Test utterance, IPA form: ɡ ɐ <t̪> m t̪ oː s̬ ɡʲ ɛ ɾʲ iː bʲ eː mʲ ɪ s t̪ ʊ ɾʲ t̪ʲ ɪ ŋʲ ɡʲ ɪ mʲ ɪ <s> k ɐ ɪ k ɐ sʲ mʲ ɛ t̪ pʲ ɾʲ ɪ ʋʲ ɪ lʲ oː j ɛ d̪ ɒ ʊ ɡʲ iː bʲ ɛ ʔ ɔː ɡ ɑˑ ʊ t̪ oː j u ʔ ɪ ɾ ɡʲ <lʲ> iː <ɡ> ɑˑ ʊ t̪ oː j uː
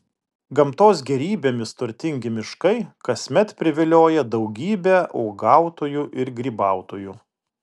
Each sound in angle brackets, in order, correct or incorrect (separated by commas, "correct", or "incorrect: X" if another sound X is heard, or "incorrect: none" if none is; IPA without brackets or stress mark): incorrect: none, incorrect: ʃ, incorrect: ɾʲ, incorrect: b